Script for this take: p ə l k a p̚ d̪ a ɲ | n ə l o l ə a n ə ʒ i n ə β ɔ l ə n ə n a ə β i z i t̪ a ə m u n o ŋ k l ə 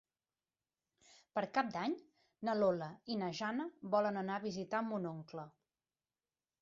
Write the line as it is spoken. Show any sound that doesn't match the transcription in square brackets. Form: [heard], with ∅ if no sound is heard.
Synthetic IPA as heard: p ə [ɾ] k a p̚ d̪ a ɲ | n ə l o l ə [i] n ə ʒ [a] n ə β ɔ l ə n ə n a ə β i z i t̪ a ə m u n o ŋ k l ə